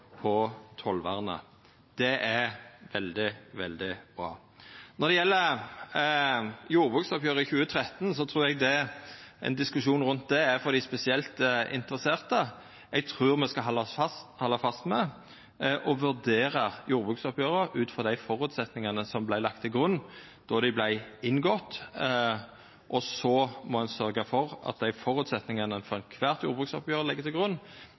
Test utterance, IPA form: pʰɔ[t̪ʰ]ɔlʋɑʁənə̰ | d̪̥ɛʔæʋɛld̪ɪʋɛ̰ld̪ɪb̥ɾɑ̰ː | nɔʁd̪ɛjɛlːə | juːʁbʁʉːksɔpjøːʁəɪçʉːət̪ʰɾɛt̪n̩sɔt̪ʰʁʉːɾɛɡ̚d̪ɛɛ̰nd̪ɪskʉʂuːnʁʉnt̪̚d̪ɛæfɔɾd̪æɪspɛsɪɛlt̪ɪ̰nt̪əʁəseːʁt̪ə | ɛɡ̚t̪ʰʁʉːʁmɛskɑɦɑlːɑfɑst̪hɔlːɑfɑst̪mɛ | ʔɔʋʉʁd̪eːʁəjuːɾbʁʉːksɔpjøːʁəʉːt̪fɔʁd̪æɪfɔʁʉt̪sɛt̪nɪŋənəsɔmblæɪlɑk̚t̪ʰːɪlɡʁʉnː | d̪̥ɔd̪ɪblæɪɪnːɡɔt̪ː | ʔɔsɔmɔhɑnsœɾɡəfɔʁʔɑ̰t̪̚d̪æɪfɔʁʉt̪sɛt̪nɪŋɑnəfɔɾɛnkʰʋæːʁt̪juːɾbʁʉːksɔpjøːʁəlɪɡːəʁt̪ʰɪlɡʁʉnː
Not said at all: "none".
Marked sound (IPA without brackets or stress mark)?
t̪ʰ